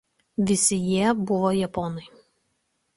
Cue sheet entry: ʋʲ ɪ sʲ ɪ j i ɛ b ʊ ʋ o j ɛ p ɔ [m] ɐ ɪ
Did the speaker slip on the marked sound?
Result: yes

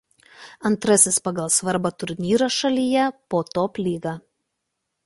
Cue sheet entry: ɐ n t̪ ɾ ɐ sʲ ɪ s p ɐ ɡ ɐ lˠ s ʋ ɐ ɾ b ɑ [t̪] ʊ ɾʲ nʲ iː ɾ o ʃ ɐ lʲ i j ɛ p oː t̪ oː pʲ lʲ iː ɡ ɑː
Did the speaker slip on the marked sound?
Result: no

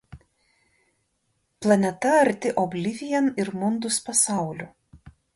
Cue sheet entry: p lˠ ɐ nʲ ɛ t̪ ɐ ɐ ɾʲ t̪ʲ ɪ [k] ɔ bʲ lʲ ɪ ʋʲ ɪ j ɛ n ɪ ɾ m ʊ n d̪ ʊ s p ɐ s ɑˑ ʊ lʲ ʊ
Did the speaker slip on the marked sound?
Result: yes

